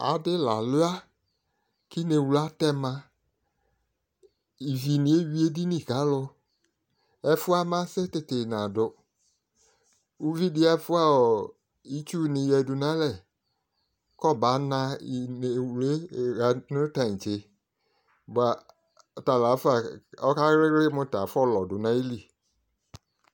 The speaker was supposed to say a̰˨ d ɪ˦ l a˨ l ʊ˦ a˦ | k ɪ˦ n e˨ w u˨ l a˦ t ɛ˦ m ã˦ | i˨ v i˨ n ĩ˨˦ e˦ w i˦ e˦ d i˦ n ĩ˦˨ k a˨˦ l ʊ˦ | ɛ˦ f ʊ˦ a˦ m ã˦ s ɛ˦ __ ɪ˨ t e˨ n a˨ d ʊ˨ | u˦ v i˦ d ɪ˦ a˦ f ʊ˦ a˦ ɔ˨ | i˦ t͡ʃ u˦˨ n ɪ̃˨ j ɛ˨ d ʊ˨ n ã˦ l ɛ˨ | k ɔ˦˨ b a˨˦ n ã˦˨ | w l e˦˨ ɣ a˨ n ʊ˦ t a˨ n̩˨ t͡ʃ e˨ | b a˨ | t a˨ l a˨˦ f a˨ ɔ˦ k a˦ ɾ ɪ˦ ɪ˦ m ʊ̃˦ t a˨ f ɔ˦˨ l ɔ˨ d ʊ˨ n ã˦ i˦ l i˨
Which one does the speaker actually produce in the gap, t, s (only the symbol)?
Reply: t